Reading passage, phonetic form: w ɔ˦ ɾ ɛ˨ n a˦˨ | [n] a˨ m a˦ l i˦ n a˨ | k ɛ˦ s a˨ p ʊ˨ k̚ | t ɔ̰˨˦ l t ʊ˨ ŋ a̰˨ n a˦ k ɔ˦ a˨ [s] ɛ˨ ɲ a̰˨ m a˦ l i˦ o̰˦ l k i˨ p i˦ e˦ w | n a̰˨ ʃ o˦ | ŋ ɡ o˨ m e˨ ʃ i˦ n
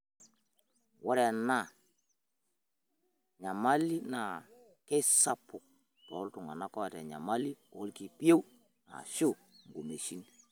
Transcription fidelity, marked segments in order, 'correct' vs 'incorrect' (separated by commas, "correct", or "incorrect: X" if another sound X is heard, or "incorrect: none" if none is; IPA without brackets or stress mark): incorrect: ɲ, incorrect: t